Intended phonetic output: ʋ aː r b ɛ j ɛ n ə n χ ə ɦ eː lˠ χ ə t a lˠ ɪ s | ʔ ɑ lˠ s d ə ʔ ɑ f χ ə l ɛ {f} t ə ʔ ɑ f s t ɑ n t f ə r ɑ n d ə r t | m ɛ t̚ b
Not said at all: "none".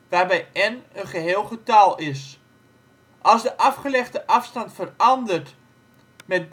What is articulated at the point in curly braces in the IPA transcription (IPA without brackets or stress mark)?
χ